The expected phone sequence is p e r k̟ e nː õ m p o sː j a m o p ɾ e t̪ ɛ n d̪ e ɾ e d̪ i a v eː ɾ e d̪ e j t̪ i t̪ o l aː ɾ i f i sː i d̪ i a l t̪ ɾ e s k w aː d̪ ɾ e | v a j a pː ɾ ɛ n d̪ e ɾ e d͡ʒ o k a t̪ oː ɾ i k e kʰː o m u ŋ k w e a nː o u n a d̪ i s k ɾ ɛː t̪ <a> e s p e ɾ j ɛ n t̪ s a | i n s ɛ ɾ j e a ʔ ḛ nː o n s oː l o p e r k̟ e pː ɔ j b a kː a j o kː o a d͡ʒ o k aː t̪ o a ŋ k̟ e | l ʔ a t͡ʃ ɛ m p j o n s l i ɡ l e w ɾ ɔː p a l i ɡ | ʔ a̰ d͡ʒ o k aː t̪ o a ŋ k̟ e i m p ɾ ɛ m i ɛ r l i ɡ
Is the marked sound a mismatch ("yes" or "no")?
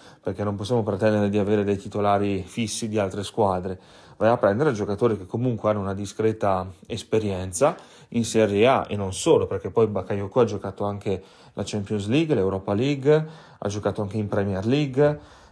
no